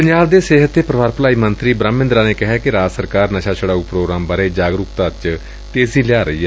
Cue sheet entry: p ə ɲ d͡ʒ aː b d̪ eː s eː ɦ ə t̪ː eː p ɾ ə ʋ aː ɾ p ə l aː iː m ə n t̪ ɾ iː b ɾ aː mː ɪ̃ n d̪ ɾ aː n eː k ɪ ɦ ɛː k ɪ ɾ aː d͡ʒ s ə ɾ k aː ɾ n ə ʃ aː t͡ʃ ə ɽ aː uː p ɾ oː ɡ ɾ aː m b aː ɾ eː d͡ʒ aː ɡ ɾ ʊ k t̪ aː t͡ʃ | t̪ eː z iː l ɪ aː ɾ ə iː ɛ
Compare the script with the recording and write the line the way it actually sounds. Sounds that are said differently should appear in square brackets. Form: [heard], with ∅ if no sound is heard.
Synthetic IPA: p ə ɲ d͡ʒ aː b d̪ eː s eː ɦ ə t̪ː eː p ɾ ə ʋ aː ɾ p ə l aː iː m ə n t̪ ɾ iː b ɾ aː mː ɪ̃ n d̪ ɾ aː n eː k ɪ ɦ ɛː k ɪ ɾ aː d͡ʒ s ə ɾ k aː ɾ n ə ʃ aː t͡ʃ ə ɽ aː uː p ɾ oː ɡ ɾ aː m b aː ɾ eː d͡ʒ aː ɡ ɾ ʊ k t̪ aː t͡ʃ | t̪ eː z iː l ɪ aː ɾ ə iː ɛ